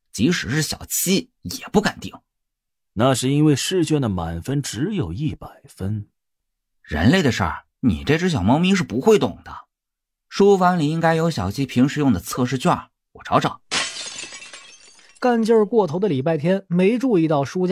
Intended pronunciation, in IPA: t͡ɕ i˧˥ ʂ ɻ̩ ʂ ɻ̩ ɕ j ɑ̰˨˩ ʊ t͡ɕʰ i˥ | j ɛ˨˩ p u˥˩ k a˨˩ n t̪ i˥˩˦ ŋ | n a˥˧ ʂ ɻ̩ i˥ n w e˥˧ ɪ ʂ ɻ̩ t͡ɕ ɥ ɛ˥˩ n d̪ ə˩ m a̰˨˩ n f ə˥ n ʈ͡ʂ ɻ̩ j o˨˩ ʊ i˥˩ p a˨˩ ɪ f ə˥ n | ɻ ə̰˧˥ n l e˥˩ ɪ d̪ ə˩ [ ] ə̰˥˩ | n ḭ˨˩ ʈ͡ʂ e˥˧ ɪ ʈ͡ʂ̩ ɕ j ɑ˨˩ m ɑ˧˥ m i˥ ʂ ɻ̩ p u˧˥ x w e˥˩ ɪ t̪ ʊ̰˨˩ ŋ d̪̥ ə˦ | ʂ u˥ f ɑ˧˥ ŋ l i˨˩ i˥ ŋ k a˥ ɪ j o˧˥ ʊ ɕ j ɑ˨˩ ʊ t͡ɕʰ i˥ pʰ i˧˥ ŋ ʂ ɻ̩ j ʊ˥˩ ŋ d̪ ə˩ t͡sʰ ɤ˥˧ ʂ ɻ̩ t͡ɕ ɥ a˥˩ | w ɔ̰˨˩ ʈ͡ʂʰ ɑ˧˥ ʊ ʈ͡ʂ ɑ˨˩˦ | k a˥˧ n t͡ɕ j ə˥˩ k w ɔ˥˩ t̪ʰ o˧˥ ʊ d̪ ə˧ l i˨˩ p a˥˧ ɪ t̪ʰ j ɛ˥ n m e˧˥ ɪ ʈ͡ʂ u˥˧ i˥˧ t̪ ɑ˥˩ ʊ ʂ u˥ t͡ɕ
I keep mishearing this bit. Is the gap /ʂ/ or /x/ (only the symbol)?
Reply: ʂ